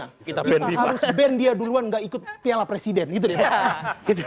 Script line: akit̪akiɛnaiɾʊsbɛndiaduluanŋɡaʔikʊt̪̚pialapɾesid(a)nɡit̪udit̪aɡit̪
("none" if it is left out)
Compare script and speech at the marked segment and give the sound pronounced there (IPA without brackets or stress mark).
ɛ